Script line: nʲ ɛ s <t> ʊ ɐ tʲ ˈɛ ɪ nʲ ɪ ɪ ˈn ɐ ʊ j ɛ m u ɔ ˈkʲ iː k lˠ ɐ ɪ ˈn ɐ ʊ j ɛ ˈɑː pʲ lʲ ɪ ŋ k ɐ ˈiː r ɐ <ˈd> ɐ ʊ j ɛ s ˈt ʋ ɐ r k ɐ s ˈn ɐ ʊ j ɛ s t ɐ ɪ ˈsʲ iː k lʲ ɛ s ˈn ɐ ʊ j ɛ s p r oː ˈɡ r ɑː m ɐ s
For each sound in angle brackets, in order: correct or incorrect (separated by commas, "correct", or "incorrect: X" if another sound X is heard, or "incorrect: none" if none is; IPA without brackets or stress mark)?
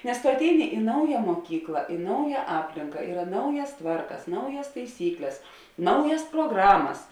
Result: correct, incorrect: n